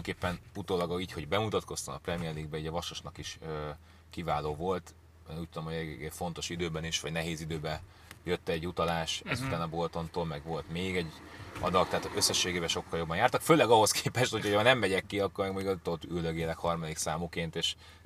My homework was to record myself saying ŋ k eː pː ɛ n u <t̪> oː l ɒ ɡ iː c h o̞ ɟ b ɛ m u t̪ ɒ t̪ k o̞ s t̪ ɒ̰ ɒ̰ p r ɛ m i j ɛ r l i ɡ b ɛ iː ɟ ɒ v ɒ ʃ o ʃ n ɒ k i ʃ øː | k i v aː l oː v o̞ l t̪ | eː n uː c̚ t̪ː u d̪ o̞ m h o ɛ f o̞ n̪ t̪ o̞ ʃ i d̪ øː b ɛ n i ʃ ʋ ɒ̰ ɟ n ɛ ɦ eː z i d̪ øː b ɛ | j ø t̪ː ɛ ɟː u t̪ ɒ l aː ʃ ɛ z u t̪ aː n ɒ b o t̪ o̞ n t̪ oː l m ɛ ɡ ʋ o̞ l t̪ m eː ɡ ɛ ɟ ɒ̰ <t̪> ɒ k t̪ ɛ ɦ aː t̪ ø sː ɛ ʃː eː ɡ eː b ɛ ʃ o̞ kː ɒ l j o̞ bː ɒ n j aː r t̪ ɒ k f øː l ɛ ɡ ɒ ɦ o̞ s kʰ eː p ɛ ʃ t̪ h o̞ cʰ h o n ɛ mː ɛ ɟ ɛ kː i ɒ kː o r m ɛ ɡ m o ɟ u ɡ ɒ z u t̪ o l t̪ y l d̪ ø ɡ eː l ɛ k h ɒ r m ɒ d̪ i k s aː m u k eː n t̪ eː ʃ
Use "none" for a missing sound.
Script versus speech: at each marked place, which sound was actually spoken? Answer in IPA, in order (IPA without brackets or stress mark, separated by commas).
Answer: t̪, d̪